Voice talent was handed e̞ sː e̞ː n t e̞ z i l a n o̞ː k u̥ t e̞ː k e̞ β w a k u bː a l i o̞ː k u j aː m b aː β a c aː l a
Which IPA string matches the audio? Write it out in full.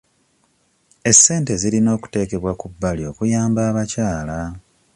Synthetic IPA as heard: e̞ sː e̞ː n t e̞ z i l i n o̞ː k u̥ t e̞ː k e̞ β w a k u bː a l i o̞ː k u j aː m b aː β a c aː l a